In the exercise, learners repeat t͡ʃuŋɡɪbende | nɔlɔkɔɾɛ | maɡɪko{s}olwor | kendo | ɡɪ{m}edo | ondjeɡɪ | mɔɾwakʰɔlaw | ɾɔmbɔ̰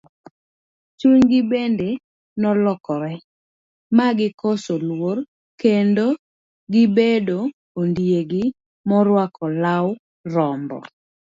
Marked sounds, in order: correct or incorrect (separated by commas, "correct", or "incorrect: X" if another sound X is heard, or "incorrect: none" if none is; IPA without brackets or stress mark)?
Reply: correct, incorrect: b